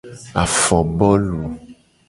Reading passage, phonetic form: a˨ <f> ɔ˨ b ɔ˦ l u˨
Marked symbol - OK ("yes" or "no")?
yes